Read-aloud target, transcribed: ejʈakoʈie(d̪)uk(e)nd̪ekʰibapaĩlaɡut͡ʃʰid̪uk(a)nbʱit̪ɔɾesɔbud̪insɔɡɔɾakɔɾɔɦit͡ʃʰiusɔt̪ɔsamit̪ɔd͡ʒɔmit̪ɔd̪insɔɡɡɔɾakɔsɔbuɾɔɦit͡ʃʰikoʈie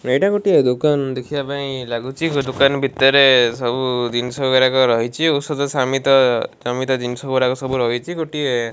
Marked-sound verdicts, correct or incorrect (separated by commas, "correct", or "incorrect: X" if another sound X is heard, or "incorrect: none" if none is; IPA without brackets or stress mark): correct, incorrect: a, correct